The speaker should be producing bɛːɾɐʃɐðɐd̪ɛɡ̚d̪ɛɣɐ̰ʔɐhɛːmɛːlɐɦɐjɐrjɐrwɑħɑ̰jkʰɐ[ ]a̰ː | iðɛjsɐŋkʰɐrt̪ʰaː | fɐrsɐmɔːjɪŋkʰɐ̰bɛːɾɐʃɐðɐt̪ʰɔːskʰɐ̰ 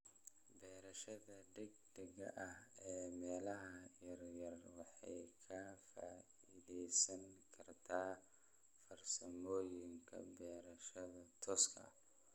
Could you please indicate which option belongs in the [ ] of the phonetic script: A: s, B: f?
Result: B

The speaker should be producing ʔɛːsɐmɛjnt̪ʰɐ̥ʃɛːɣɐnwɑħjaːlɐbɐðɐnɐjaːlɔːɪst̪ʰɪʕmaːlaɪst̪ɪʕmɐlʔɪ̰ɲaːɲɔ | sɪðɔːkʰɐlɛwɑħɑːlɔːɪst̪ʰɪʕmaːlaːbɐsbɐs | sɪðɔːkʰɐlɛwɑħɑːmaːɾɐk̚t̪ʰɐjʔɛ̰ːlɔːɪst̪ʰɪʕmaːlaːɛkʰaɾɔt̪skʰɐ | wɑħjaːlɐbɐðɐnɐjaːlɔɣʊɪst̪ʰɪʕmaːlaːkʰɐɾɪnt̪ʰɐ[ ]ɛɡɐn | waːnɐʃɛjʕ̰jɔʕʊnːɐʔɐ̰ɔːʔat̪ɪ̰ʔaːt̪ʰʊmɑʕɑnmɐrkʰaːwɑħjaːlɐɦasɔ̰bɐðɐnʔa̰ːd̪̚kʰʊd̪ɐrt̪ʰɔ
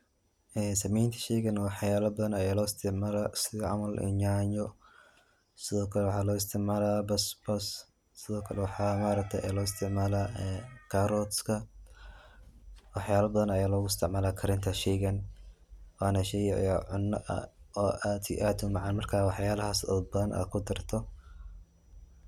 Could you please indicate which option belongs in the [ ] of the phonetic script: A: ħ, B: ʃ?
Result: B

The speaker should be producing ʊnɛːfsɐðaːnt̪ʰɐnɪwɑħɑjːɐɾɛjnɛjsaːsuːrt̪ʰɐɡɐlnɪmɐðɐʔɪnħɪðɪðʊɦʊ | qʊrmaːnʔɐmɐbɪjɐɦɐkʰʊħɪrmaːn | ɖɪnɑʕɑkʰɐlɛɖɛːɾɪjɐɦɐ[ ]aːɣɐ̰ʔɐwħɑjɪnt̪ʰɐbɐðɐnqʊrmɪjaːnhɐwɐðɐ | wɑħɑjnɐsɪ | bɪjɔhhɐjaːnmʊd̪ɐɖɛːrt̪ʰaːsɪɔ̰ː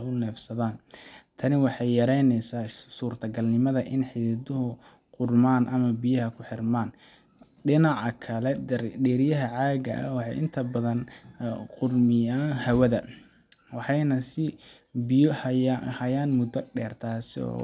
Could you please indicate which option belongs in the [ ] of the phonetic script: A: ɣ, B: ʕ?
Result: B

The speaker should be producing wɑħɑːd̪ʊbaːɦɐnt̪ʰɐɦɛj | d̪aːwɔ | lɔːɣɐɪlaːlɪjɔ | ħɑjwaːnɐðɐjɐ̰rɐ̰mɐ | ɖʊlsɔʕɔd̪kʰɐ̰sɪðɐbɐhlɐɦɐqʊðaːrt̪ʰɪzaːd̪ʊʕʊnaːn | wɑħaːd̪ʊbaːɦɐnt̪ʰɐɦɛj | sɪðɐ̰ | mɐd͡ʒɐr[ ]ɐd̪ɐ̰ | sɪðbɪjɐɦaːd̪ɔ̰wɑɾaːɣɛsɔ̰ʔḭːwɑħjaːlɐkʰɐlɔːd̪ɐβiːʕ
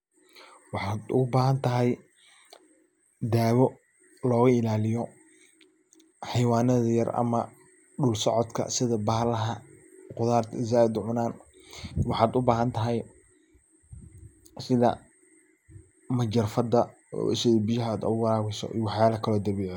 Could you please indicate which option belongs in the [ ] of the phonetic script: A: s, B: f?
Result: B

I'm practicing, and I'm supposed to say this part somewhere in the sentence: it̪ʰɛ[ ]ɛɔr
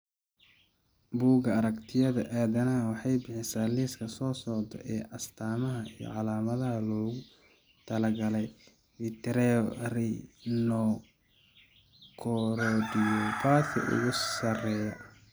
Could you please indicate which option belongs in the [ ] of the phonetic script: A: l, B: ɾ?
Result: B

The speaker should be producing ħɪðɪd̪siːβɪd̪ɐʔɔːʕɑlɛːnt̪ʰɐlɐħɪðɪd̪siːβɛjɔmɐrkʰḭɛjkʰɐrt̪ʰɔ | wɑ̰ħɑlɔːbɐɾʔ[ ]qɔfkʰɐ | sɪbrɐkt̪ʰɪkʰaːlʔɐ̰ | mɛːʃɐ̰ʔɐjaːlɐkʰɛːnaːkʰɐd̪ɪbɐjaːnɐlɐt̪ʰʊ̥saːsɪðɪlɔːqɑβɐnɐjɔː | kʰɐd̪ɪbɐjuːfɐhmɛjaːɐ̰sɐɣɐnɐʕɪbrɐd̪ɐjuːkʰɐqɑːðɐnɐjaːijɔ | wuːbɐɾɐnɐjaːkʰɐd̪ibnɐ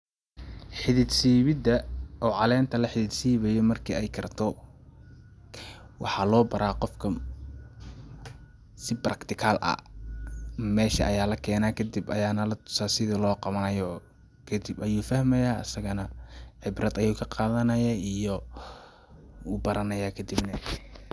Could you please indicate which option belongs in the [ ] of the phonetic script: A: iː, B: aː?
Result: B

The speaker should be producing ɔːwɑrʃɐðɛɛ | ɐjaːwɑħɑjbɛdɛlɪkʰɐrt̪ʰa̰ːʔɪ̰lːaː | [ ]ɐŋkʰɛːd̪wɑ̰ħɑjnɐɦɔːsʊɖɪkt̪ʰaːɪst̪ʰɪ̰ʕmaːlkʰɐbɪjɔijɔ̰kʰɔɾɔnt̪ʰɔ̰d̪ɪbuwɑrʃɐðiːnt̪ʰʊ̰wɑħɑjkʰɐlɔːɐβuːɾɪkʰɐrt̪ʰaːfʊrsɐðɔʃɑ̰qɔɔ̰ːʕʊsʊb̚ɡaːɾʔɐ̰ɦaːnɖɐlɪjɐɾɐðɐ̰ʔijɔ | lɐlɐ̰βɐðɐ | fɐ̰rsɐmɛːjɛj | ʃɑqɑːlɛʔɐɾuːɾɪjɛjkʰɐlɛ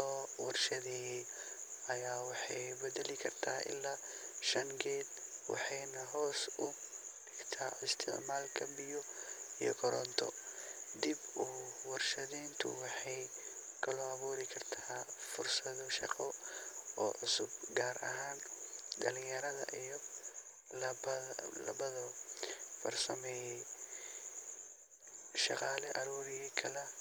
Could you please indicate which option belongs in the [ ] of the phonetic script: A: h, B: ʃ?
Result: B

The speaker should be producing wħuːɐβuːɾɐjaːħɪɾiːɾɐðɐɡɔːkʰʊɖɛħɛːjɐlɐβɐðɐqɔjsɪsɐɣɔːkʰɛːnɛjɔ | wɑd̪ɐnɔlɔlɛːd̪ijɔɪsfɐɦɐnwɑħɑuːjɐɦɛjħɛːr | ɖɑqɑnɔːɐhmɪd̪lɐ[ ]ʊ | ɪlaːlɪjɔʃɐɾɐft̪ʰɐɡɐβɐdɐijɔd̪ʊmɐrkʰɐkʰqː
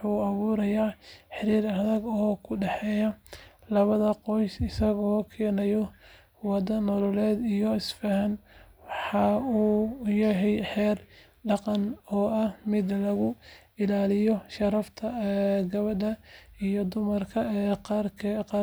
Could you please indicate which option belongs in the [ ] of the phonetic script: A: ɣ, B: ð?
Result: A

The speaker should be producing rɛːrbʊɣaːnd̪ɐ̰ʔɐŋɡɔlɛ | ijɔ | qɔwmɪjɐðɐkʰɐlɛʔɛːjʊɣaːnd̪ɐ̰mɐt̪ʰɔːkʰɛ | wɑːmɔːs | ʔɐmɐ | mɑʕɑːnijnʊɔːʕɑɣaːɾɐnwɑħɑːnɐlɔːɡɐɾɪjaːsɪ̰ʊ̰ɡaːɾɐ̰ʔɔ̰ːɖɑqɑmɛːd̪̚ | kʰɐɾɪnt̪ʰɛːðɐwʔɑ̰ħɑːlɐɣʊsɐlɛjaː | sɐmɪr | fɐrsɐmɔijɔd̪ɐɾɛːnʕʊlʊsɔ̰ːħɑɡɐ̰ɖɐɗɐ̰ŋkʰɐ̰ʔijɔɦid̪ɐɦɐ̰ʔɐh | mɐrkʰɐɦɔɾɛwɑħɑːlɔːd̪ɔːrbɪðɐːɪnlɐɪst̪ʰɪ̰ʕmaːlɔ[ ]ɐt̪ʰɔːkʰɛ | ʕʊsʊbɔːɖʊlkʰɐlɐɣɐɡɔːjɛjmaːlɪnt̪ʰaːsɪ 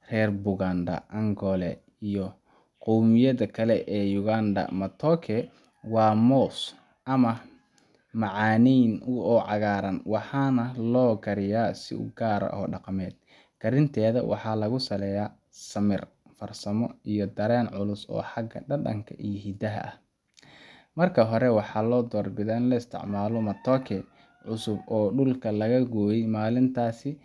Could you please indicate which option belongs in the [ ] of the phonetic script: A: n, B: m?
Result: B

